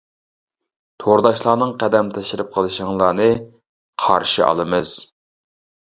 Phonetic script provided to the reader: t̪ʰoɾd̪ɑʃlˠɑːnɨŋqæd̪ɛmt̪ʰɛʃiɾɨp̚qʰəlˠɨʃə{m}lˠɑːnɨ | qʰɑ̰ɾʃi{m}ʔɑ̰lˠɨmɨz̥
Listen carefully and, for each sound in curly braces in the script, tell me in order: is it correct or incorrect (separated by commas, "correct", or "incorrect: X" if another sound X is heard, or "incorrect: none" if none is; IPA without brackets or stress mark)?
incorrect: ŋ, incorrect: none